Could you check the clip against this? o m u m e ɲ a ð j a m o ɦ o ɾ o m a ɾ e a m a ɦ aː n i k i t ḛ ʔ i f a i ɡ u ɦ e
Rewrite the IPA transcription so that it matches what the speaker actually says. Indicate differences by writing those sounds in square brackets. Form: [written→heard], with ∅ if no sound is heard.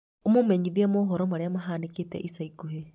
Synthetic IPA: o m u m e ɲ [a→i] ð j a m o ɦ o ɾ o m a ɾ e a m a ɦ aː n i k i t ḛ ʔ i [f→s] a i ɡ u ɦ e